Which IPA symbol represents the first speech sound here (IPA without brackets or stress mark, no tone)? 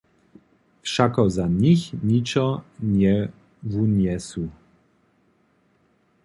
f